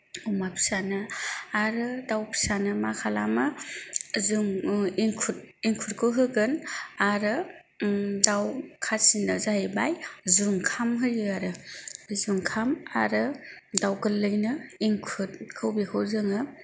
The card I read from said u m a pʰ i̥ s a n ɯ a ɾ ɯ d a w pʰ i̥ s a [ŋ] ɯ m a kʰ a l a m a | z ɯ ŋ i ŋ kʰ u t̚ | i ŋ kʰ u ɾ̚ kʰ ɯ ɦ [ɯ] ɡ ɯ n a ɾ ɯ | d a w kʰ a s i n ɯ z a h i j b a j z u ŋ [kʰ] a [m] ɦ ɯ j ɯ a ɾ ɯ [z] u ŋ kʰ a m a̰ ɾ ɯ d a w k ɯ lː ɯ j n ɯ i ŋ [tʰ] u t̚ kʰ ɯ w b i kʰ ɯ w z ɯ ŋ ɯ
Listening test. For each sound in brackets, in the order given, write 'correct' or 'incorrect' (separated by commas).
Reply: incorrect, correct, correct, correct, correct, incorrect